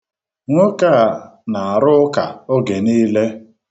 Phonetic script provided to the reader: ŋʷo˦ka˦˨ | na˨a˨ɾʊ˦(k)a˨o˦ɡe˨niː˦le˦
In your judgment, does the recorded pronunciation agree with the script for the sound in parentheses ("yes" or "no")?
yes